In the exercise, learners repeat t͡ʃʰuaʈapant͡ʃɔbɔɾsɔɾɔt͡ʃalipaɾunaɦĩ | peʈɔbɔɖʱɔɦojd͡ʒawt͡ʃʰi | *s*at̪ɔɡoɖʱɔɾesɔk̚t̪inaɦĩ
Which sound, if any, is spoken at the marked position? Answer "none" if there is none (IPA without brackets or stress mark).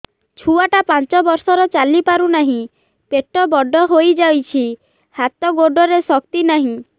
h